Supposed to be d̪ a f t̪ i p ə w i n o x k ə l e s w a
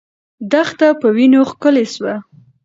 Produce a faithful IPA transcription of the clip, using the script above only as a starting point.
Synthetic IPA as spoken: d̪ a x t̪ a p ə w i n o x k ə l e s w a